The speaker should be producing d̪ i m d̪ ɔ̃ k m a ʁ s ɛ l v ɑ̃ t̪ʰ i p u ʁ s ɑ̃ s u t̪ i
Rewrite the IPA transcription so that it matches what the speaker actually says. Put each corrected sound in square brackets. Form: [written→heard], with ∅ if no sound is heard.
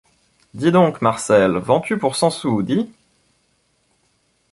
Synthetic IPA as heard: d̪ i [m→∅] d̪ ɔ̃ k m a ʁ s ɛ l v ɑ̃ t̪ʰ [i→y] p u ʁ s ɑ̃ s u [t̪→d̪] i